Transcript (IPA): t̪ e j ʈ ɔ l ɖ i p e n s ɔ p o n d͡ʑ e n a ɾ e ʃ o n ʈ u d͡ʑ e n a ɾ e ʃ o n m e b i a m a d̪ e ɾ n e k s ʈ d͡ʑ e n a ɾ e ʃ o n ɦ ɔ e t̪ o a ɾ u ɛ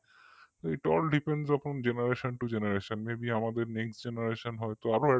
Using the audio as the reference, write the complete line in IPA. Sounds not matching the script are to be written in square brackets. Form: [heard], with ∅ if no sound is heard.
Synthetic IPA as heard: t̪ e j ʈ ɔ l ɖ i p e n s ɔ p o n d͡ʑ e n a ɾ e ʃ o n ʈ u d͡ʑ e n a ɾ e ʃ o n m e b i a m a d̪ e ɾ n e k s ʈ d͡ʑ e n a ɾ e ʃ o n ɦ ɔ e t̪ o a ɾ [o] ɛ